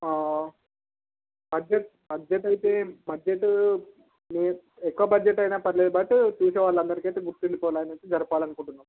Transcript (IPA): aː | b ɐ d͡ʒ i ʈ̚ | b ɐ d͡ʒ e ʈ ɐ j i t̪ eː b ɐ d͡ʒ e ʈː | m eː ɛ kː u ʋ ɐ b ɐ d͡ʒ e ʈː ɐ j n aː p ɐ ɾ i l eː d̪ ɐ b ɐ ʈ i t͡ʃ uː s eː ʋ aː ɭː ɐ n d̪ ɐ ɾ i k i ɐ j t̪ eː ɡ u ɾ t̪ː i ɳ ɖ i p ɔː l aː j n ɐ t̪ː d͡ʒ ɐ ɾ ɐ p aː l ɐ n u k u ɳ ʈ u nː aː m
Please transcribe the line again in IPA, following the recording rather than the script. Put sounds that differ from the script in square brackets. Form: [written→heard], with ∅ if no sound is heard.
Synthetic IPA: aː | b ɐ d͡ʒ [i→e] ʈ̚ | b ɐ d͡ʒ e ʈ ɐ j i t̪ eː b ɐ d͡ʒ e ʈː | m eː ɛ kː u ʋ ɐ b ɐ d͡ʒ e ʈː ɐ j n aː p ɐ ɾ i l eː d̪ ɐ b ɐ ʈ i t͡ʃ uː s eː ʋ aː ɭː ɐ n d̪ ɐ ɾ i k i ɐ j t̪ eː ɡ u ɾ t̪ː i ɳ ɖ i p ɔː l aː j n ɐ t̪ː d͡ʒ ɐ ɾ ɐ p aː l ɐ n u k u ɳ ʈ u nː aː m

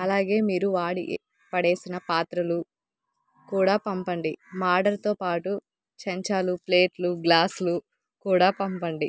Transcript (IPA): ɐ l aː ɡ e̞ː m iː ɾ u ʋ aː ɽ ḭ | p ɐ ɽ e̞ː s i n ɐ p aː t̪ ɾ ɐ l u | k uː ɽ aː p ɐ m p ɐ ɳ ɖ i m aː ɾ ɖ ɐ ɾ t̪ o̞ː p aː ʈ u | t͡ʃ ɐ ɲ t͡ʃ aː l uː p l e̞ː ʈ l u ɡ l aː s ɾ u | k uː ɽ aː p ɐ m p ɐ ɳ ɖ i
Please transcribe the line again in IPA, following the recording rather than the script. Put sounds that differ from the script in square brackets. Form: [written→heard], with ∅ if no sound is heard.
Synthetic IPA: ɐ l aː ɡ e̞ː m iː ɾ u ʋ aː ɽ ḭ | p ɐ ɽ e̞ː s i n ɐ p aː t̪ ɾ ɐ l u | k uː ɽ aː p ɐ m p ɐ ɳ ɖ i m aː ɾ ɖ ɐ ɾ t̪ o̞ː p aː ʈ u | t͡ʃ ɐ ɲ t͡ʃ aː l [uː→u] p l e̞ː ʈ l u ɡ l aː s [ɾ→l] u | k uː ɽ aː p ɐ m p ɐ ɳ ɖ i

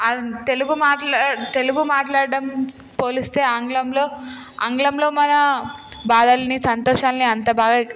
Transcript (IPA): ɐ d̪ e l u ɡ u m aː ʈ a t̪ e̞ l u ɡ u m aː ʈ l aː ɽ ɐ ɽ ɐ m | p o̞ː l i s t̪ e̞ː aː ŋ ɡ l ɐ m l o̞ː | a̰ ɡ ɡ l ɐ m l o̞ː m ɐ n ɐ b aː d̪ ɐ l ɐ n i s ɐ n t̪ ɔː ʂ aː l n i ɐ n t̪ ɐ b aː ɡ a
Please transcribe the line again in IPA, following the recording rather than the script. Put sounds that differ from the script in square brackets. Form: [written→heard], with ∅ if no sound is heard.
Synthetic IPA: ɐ [d̪→t̪] e l u ɡ u m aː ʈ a t̪ e̞ l u ɡ u m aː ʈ l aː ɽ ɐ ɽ ɐ m | p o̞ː l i s t̪ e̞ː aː ŋ ɡ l ɐ m l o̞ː | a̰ [ɡ→ŋ] ɡ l ɐ m l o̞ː m ɐ n ɐ b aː d̪ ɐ l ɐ n i s ɐ n t̪ ɔː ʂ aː l n i ɐ n t̪ ɐ b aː ɡ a

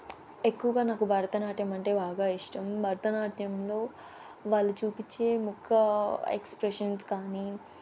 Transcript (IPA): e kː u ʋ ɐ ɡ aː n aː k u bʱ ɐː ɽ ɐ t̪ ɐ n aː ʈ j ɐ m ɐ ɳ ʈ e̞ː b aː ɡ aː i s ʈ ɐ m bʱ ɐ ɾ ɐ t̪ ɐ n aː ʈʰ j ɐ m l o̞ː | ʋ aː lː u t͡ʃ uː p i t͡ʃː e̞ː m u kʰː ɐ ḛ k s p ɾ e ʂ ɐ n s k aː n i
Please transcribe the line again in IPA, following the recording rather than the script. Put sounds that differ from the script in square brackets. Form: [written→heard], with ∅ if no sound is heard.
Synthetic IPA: e kː u ʋ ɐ ɡ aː n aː k u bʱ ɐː [ɽ→ɾ] ɐ t̪ ɐ n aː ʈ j ɐ m ɐ ɳ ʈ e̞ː b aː ɡ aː i [s→ʂ] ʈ ɐ m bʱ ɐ ɾ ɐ t̪ ɐ n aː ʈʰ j ɐ m l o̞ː | ʋ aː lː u t͡ʃ uː p i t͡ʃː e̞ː m u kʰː ɐ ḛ k s p ɾ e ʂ ɐ n s k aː n i

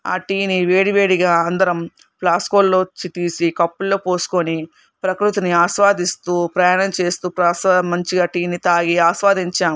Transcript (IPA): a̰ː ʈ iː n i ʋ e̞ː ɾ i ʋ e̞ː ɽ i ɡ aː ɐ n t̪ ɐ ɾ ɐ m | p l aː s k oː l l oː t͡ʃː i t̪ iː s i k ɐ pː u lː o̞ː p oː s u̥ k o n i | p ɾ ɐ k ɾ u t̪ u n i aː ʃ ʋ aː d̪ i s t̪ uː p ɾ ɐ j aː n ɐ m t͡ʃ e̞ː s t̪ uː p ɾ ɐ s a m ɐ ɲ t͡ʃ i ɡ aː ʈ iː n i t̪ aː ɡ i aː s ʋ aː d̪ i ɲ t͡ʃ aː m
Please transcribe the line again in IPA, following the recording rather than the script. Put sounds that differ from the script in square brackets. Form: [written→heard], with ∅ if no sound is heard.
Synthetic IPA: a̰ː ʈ iː n i ʋ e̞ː [ɾ→ɽ] i ʋ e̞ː ɽ i ɡ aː ɐ n [t̪→d̪] ɐ ɾ ɐ m | p l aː s k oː l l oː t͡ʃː i t̪ iː s i k ɐ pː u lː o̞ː p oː s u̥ k o n i | p ɾ ɐ k ɾ u t̪ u n i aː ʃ ʋ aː d̪ i s t̪ uː p ɾ ɐ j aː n ɐ m t͡ʃ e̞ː s t̪ uː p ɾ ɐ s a m ɐ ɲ t͡ʃ i ɡ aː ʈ iː n i t̪ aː ɡ i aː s ʋ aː d̪ i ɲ t͡ʃ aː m

